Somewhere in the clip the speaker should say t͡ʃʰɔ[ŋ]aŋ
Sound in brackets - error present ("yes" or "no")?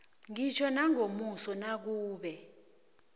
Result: yes